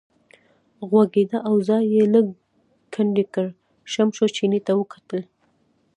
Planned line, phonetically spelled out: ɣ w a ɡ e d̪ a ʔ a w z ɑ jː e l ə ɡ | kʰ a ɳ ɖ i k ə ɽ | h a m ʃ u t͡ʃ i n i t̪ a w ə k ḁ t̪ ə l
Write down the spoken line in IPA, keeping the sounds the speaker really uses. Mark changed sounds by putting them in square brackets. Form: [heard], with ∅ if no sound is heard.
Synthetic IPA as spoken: ɣ w a ɡ e d̪ a ʔ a w z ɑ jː e l ə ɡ | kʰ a ɳ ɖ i k ə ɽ | [ʃ] a m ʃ [o] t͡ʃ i n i t̪ a w ə k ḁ t̪ ə l